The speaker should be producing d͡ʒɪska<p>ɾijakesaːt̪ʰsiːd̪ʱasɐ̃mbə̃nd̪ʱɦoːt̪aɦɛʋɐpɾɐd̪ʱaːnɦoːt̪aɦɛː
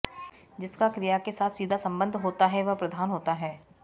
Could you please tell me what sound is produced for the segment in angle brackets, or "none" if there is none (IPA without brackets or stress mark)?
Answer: k